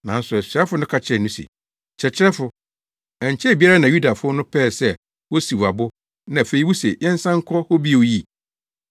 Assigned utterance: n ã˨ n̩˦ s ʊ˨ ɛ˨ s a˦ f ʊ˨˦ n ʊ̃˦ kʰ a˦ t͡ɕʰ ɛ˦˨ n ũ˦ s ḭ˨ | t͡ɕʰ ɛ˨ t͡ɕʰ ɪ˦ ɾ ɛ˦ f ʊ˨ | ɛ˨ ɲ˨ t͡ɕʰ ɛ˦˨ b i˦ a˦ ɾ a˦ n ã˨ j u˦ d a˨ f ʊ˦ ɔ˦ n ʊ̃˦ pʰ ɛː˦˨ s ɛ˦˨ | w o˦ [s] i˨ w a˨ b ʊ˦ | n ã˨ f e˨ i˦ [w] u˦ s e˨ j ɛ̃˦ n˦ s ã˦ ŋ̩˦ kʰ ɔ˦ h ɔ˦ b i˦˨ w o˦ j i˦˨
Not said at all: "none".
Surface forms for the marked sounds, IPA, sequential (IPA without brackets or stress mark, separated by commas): s, w